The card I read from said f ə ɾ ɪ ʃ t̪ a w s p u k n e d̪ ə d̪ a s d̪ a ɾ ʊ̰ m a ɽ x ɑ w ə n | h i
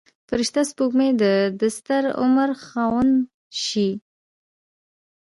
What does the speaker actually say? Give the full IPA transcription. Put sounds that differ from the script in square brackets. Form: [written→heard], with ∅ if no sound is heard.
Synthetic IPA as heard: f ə ɾ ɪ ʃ t̪ a [w→∅] s p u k [n→m] e d̪ ə d̪ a s [d̪→t̪] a ɾ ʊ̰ m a [ɽ→ɾ] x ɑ w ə n | [h→ʃ] i